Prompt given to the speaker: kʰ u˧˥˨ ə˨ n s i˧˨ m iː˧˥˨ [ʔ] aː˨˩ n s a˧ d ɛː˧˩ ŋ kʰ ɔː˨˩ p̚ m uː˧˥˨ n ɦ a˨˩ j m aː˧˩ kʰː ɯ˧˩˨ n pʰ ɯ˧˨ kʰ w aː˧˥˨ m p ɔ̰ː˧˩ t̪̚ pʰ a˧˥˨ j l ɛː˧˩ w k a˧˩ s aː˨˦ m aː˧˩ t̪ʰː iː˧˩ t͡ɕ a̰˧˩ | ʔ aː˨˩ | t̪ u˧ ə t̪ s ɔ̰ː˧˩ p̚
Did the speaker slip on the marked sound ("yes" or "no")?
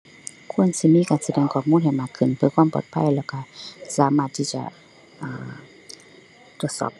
yes